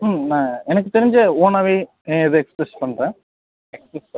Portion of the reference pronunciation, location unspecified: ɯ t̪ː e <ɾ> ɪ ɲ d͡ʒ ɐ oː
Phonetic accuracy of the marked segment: correct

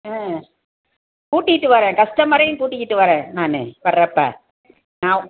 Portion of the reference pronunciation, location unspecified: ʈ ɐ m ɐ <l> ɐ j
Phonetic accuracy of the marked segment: incorrect: ɾ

